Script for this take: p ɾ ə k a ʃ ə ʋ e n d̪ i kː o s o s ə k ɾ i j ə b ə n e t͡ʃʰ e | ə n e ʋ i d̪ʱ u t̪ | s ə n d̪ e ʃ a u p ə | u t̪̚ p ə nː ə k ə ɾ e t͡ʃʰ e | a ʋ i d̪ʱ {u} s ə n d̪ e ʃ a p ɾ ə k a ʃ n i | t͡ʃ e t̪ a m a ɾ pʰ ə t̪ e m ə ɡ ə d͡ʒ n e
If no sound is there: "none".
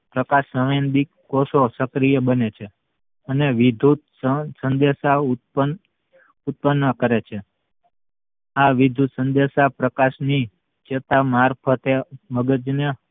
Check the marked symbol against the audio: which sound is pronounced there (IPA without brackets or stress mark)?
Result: u